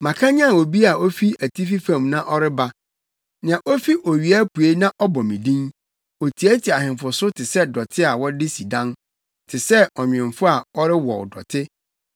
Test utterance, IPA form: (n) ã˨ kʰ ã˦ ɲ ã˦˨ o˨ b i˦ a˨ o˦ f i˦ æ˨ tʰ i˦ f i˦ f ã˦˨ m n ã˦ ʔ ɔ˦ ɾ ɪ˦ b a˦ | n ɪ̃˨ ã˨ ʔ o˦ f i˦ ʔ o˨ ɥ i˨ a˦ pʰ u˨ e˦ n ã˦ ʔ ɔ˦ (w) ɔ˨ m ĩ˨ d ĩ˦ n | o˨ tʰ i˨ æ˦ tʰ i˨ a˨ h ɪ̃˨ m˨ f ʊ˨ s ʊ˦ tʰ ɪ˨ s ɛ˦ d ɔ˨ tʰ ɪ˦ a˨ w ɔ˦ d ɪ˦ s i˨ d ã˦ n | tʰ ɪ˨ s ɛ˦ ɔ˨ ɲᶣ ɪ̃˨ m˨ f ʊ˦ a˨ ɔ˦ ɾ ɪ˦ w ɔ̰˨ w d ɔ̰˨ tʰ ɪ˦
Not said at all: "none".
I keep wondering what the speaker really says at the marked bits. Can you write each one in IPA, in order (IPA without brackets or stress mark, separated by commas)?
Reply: m, b